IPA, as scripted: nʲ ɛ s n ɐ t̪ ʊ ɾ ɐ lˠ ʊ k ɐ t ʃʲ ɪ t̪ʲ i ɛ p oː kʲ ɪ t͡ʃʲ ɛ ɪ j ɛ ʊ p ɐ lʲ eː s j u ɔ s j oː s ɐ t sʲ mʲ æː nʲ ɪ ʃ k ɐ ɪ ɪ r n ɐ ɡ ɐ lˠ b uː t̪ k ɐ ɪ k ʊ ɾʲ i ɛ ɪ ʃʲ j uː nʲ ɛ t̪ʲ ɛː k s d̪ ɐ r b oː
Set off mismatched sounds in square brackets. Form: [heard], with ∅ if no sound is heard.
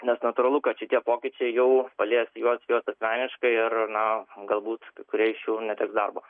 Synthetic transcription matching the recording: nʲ ɛ s n ɐ t̪ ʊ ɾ ɐ lˠ ʊ k ɐ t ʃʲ ɪ t̪ʲ i ɛ p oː kʲ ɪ t͡ʃʲ ɛ ɪ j ɛ ʊ p ɐ lʲ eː s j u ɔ s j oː s ɐ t sʲ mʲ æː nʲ ɪ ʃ k ɐ ɪ ɪ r n ɐ ɡ ɐ lˠ b uː t̪ k ɐ ɪ k ʊ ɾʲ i ɛ ɪ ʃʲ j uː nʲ ɛ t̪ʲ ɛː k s d̪ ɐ r b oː